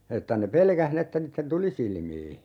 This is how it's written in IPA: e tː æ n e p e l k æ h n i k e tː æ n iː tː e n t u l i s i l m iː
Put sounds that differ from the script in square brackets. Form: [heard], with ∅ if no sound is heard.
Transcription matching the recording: e tː æ n e p e l k æ h n i [∅] e tː æ n iː tː e n t u l i s i l m iː

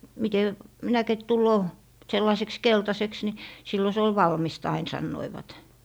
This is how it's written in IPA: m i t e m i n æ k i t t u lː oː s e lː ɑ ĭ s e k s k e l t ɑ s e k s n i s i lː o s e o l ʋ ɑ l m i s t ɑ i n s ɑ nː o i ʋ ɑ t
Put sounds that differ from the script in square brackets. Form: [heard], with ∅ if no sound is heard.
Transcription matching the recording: m i t e m i n æ k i t t u lː oː s e lː ɑ ĭ s e k s k e l t ɑ s e k s n i s i lː o s e o l ʋ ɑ l m i s t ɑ i n s ɑ nː o i ʋ ɑ t

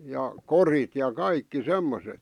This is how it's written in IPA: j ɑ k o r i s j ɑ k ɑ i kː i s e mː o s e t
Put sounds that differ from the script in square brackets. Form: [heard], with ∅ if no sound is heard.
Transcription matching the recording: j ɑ k o r i [t] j ɑ k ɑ i kː i s e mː o s e t

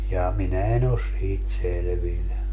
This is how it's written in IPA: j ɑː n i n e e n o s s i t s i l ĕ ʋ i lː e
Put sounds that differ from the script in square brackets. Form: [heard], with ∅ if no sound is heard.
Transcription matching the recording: j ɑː [m] i n [æ] e n o s s [iː] t s [e] l ĕ ʋ i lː [æ]

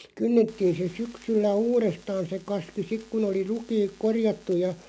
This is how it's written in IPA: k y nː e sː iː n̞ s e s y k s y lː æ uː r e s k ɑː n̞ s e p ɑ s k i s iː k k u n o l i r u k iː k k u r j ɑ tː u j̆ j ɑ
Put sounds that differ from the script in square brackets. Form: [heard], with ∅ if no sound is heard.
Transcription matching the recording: k y nː e [tː] iː n̞ s e s y k s y lː æ uː r e s [t] ɑː n̞ s e [k] ɑ s k i s [i] k k u n o l i r u k iː k k [o] r j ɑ tː u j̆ j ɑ

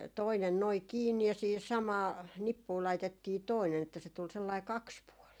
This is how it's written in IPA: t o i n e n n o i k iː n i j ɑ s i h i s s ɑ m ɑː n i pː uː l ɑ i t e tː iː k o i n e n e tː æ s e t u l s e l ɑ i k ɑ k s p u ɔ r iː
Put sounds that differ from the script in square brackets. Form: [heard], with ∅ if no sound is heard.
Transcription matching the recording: t o i n e n n o i k iː [nː] i j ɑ s [iː] h i s s ɑ m ɑː n i pː uː l ɑ i t e tː iː [t] o i n e n e tː æ s e t u l s e [lː] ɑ i k ɑ k s p u ɔ [l] iː

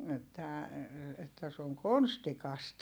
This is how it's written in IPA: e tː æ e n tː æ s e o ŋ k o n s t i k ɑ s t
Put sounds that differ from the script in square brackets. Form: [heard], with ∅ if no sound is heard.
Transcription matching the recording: e tː æ e [∅] tː æ s e o ŋ k o n s t i k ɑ s t

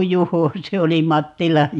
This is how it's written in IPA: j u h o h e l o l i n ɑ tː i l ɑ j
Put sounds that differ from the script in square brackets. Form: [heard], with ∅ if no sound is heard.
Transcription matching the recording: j u h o [s] e [∅] o l i [m] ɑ tː i l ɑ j

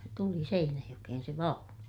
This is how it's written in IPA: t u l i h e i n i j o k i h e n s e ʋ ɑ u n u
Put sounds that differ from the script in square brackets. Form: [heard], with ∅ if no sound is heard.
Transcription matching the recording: t u l i [s] e i n [æ] j o k [e] h e n s e ʋ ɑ u n u

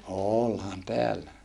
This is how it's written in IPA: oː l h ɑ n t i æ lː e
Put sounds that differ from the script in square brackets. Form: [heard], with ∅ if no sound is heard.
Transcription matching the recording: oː l h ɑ n t [e] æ lː [æ]

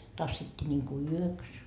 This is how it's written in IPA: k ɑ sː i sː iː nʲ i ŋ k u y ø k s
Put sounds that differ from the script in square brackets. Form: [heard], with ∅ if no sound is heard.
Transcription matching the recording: [t] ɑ sː i [tː] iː nʲ i ŋ k u y ø k s

